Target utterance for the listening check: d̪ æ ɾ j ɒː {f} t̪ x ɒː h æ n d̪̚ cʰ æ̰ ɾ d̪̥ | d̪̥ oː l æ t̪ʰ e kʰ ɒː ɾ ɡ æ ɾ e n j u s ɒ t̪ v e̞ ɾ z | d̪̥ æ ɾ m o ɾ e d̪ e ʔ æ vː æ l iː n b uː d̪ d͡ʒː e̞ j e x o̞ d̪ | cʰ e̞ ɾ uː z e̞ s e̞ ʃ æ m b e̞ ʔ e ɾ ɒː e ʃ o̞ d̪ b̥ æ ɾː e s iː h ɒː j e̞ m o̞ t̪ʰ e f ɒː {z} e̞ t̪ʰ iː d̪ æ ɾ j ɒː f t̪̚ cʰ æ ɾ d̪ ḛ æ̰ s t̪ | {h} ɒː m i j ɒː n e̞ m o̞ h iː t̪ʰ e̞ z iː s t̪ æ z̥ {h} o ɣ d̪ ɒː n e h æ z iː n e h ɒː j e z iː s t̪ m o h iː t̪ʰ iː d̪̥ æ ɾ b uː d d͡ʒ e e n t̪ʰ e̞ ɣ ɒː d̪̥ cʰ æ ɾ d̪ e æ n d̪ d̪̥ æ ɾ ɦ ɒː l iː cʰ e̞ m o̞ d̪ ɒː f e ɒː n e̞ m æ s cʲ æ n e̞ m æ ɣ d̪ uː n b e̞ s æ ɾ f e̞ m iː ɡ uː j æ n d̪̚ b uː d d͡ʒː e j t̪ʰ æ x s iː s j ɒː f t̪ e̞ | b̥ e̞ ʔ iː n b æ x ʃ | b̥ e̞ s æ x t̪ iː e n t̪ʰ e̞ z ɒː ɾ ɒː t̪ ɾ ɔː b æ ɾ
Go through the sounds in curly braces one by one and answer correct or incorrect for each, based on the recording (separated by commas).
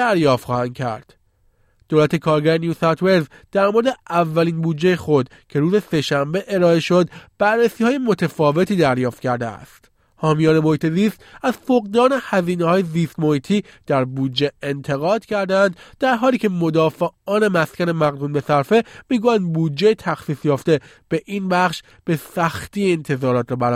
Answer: correct, incorrect, correct, incorrect